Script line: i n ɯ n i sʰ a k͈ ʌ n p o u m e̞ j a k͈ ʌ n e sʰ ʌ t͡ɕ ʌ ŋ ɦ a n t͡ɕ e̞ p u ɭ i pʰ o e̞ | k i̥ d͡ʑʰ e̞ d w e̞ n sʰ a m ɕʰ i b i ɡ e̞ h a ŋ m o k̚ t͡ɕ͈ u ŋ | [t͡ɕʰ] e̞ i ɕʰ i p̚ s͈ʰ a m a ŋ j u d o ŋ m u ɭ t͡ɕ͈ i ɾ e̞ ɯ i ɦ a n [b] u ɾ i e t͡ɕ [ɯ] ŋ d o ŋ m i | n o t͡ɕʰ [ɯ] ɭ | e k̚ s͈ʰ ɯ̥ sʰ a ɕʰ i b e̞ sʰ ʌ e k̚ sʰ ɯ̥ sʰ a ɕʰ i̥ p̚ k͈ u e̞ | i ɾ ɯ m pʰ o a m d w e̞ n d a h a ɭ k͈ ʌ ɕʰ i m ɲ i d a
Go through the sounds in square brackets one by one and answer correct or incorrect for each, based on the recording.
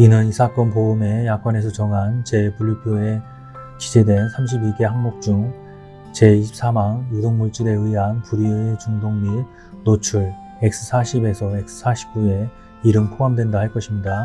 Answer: incorrect: t͡ɕ, incorrect: p, incorrect: u, incorrect: u

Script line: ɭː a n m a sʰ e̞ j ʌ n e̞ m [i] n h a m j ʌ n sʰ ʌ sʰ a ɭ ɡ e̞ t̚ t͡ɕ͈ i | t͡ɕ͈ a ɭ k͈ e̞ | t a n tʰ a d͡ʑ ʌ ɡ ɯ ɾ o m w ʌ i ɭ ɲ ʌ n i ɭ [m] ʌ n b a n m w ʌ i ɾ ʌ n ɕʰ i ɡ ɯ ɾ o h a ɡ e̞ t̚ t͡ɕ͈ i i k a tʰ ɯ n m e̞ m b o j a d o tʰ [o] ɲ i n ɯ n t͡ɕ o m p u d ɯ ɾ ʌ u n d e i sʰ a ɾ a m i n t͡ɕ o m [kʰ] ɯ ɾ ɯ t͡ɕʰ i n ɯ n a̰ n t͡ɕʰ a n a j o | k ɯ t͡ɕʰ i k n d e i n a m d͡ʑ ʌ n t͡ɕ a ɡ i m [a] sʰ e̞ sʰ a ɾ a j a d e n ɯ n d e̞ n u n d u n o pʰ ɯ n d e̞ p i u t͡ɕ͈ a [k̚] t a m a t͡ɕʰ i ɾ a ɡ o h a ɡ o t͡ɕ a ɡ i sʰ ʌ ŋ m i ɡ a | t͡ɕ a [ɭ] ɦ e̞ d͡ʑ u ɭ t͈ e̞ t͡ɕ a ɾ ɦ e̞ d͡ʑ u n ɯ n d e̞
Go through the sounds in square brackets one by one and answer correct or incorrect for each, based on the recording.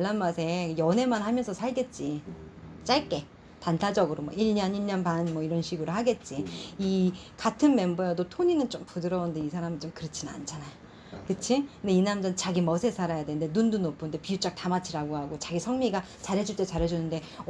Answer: incorrect: a, incorrect: ɲ, correct, incorrect: k, incorrect: ʌ, correct, incorrect: ɾ

